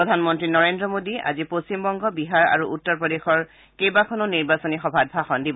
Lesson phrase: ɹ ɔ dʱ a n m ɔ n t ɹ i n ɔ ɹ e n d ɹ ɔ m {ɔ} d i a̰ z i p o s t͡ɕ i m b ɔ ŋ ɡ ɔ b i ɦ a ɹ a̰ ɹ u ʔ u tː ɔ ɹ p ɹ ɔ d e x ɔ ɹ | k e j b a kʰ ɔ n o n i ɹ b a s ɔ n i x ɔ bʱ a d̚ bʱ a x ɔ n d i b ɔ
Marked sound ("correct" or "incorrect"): incorrect